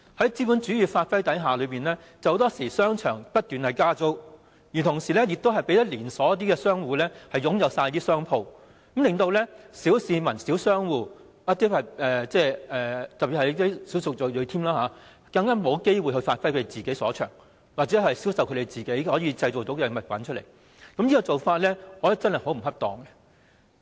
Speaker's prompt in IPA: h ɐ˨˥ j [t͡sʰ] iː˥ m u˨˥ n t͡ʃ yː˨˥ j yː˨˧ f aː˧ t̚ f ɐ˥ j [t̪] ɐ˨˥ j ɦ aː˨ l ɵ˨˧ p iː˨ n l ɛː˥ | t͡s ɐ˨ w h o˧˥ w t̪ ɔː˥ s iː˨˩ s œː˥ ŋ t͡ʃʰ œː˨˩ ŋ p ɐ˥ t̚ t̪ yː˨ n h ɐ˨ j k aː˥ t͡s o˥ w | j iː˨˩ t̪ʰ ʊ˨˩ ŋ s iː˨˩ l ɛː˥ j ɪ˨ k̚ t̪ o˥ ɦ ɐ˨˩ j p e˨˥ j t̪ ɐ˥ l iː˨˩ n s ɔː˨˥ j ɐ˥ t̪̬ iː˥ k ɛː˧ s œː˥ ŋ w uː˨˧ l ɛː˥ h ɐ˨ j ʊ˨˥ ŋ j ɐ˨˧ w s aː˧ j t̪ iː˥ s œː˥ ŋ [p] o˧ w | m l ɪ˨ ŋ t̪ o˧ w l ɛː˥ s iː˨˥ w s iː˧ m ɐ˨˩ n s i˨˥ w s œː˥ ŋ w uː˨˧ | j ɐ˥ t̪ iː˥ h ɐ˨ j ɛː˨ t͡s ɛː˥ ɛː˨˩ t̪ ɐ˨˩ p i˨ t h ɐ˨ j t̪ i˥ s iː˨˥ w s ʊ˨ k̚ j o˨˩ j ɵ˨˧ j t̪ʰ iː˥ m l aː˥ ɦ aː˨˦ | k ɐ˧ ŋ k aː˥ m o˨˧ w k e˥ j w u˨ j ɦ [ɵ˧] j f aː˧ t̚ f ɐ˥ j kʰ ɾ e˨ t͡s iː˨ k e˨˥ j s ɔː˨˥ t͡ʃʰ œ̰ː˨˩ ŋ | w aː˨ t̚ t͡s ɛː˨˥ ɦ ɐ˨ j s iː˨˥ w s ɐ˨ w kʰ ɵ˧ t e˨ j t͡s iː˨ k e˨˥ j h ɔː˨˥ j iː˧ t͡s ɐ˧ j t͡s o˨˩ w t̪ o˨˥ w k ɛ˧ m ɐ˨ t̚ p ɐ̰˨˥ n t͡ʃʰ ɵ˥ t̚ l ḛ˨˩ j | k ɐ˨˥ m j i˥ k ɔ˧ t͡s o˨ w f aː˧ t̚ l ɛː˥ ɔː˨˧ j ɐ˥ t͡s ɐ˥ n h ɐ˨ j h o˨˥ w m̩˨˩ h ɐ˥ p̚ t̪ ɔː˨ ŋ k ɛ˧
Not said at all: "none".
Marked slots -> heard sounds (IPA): t͡s, t̪, pʰ, ɵ˧

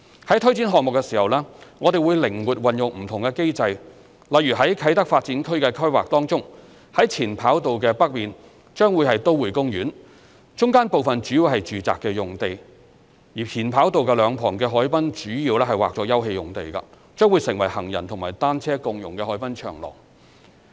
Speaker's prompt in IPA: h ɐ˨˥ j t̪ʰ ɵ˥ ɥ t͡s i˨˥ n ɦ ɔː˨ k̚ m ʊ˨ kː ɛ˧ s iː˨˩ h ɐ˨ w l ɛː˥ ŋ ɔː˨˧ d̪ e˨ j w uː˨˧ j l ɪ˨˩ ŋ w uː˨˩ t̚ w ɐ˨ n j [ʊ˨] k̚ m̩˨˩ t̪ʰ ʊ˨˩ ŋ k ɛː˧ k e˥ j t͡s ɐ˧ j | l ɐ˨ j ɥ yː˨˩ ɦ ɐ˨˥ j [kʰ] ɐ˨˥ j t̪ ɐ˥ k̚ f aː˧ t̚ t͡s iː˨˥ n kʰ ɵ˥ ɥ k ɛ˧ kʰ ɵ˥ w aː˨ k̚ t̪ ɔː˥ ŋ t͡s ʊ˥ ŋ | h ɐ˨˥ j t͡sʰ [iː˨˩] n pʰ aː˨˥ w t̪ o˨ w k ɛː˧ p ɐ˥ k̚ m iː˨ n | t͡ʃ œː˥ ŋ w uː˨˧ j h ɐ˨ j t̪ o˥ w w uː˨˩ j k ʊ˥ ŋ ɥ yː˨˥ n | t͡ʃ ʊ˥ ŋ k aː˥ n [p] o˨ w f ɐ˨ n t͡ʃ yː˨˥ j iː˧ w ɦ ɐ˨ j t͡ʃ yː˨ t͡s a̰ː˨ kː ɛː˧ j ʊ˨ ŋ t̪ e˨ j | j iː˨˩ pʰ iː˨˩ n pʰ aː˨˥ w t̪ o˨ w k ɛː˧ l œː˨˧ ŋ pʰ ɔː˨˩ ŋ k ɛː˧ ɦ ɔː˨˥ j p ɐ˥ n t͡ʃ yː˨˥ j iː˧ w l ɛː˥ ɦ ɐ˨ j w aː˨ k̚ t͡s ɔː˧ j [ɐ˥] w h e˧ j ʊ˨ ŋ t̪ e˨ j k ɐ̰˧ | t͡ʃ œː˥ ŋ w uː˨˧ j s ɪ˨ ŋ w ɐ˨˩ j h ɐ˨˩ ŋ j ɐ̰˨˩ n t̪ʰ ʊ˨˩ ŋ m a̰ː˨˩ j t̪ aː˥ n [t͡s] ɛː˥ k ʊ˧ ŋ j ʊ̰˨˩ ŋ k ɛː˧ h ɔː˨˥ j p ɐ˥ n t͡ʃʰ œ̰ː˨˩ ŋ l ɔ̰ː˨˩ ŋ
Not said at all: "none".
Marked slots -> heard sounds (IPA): ʊ˨, kʰ, iː˨˩, p, ɐ˥, t͡sʰ

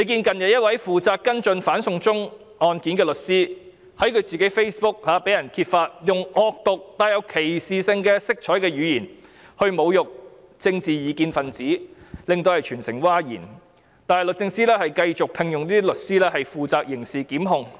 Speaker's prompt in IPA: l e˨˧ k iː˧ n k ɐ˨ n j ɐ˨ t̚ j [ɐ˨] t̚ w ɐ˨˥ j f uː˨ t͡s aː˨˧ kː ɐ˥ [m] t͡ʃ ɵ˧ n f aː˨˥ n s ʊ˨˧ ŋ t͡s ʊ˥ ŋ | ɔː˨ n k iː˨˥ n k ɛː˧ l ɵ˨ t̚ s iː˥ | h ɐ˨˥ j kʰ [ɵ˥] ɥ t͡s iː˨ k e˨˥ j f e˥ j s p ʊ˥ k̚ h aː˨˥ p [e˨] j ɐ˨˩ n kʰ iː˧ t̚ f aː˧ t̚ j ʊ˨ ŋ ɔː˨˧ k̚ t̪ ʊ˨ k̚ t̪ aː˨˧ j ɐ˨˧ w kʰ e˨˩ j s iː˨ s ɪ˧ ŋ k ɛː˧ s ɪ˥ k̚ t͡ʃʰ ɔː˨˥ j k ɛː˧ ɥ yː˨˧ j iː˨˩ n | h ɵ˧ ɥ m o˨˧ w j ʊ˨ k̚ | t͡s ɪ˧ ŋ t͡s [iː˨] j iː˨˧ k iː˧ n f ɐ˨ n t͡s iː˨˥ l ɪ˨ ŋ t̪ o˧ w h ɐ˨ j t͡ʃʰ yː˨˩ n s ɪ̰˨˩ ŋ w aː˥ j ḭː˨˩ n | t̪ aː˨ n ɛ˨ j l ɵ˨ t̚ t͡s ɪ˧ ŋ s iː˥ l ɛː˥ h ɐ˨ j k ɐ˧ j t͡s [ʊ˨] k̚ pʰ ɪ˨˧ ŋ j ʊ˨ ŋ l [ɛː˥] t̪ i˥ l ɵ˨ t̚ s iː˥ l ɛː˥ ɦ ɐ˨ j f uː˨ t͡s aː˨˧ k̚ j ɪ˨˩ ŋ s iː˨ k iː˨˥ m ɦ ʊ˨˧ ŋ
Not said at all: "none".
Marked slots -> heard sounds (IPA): ɐ˥, n, ɵ˨˧, e˨˥, iː˨, ʊ˨, iː˥

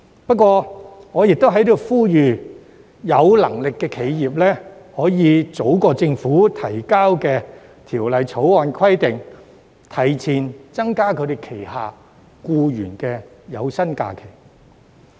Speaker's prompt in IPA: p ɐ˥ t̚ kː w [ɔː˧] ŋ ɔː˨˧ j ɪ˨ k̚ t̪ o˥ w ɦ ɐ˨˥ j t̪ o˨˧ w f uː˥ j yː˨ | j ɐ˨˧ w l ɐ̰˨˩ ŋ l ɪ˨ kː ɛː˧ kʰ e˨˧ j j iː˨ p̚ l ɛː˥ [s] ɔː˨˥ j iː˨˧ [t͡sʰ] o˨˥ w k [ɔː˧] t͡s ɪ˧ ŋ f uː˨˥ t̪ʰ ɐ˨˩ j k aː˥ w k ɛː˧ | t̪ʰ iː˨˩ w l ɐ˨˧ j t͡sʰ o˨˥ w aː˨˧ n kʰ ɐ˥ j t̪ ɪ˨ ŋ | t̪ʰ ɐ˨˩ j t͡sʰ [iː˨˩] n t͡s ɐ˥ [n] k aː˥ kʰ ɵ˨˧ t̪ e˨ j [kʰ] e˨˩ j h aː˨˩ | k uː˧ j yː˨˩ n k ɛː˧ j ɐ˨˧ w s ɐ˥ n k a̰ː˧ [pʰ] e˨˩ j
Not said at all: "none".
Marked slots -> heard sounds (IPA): ɔː˧, h, t͡s, ɔː˧, iː˨˩, ŋ, kʰ, kʰ

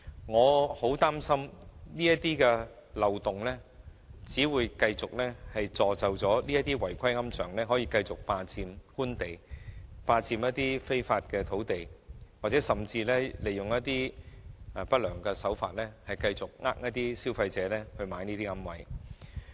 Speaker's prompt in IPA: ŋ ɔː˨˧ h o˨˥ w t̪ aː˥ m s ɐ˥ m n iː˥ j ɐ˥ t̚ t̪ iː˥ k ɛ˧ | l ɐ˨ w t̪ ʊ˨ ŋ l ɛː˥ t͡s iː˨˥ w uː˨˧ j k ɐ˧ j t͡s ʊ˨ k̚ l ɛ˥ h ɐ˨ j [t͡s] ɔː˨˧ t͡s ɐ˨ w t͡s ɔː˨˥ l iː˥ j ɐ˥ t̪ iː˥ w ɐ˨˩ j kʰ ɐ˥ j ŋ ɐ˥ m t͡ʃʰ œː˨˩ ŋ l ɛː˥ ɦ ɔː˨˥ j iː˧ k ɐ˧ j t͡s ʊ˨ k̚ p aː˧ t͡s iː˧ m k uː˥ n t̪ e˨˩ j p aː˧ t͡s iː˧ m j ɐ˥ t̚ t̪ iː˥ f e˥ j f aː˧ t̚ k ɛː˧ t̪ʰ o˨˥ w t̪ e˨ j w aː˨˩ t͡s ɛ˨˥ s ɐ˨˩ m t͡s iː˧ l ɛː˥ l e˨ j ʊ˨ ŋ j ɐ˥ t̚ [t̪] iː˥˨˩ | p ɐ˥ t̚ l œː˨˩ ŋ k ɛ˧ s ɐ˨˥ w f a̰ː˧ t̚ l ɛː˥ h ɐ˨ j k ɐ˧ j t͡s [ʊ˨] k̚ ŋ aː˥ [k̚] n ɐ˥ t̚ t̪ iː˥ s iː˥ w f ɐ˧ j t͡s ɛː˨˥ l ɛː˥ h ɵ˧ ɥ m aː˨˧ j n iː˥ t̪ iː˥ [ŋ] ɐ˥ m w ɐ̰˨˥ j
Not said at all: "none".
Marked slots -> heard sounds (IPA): t͡s, t̪, ʊ˨, k̚, ŋ

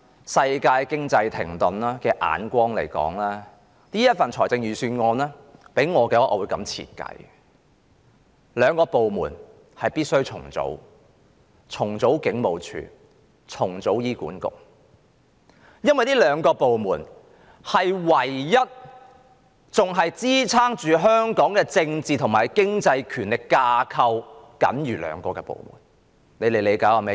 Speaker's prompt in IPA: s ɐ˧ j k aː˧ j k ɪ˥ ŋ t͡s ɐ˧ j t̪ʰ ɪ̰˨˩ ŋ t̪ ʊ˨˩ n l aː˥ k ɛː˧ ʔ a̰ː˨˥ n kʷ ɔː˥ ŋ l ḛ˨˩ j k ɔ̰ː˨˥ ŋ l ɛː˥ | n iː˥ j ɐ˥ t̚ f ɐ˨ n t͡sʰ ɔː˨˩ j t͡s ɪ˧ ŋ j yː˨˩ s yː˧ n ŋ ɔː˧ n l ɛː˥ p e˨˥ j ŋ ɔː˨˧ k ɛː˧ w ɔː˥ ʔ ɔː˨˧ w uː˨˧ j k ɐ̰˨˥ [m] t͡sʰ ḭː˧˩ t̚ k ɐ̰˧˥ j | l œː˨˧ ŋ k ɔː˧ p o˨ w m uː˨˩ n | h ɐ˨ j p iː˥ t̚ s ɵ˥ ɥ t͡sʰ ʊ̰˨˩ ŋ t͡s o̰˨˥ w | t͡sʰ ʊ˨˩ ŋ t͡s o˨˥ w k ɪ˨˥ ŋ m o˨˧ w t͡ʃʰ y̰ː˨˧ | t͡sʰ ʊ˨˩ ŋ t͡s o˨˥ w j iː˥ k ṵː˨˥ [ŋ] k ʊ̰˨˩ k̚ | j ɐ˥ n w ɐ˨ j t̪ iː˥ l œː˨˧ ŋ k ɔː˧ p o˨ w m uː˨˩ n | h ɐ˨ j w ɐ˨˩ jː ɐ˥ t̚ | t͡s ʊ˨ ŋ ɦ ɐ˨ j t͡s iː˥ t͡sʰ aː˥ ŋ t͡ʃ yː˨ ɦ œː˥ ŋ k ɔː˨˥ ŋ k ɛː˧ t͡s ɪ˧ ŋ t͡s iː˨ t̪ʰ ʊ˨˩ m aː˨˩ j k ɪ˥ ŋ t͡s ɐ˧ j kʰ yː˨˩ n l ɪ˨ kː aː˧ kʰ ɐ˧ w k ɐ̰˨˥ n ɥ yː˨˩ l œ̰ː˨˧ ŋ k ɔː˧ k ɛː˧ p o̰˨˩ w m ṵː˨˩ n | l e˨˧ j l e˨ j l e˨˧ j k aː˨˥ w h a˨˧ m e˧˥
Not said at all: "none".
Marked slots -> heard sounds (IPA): m, n

